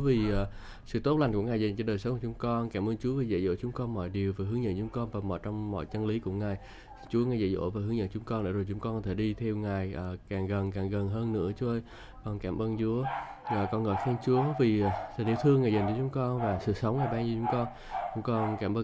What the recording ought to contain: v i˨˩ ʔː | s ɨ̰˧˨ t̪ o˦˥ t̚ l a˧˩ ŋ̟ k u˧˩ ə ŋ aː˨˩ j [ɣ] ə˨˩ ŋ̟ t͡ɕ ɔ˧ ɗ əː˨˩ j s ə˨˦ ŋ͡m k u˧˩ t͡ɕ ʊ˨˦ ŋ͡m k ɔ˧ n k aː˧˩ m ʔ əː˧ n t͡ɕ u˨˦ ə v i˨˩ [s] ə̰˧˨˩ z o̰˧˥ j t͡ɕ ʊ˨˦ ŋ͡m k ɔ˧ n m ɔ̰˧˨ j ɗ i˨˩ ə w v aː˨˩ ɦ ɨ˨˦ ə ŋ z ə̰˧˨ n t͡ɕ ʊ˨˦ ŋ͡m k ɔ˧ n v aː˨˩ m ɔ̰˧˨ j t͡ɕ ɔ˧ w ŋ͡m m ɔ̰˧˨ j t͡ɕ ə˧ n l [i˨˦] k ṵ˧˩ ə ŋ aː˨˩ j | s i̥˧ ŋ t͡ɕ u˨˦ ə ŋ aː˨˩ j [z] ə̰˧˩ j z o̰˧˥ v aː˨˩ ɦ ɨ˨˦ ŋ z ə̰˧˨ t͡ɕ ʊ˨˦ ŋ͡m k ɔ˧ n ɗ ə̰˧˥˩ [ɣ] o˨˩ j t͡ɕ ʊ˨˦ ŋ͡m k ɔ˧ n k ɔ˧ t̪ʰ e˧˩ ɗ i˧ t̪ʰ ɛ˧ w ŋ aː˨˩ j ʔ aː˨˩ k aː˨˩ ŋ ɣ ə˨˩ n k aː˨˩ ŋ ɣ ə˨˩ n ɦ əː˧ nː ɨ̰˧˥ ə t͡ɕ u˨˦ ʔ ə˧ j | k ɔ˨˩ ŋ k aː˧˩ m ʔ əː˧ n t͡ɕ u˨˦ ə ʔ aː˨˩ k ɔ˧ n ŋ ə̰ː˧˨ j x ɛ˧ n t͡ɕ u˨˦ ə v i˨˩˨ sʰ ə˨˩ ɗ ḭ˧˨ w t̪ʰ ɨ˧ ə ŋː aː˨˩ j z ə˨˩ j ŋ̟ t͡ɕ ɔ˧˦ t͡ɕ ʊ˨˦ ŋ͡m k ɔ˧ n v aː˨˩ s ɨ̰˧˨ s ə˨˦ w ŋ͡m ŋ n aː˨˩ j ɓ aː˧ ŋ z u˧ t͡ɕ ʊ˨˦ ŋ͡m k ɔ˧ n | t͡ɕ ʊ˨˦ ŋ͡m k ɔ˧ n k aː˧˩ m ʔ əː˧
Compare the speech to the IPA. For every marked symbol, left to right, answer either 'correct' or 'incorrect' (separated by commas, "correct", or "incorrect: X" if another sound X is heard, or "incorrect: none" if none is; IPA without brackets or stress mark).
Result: incorrect: z, incorrect: z, correct, correct, incorrect: z